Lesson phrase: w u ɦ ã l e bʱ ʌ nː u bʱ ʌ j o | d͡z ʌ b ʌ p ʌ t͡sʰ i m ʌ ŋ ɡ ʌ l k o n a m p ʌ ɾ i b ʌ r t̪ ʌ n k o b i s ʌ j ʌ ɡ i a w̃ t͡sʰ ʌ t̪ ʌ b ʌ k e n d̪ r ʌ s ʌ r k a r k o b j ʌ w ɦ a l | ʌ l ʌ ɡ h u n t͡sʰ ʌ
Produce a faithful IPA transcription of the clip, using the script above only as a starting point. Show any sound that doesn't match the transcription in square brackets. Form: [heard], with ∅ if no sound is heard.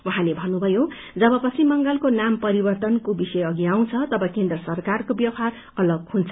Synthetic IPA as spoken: w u ɦ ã l e bʱ ʌ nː u bʱ ʌ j o | d͡z ʌ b ʌ p ʌ t͡sʰ i m ʌ ŋ ɡ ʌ l k o n a m p ʌ ɾ i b ʌ r t̪ ʌ n k o b i s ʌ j ʌ ɡ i a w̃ t͡sʰ ʌ t̪ ʌ b ʌ k e n d̪ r ʌ s ʌ r k a r k o b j ʌ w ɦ a [r] | ʌ l ʌ ɡ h u n t͡sʰ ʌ